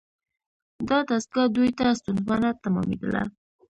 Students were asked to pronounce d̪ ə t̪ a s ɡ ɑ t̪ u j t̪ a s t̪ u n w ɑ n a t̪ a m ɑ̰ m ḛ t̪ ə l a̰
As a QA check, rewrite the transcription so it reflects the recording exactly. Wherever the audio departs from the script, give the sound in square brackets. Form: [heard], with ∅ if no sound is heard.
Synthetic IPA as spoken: d̪ [ɑ] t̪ a s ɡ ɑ [d̪] u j t̪ a s t̪ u n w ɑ n a t̪ a m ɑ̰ m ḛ [d̪] ə l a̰